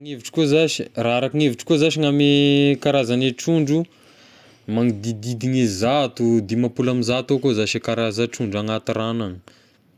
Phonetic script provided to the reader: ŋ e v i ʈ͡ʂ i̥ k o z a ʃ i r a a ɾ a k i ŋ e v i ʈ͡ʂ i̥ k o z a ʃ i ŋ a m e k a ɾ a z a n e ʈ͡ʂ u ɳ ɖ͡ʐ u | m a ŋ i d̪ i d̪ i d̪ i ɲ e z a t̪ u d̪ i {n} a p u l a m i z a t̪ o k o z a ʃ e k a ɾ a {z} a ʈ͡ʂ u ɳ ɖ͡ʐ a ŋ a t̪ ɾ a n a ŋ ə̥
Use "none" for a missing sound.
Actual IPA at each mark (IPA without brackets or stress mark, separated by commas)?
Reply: m, z